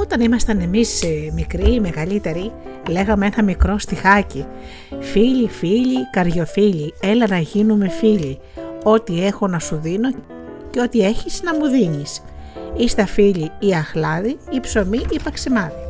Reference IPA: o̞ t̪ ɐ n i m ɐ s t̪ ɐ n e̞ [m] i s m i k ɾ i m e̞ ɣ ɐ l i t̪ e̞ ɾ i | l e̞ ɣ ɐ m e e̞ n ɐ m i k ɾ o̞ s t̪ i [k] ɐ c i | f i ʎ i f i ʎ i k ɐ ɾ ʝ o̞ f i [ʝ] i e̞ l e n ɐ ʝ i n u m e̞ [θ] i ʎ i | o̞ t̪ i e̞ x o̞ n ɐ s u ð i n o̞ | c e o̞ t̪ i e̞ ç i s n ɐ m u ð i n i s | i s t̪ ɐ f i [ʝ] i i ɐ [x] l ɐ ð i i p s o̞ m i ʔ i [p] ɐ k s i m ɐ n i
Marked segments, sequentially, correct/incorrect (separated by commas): correct, incorrect, incorrect, incorrect, incorrect, correct, correct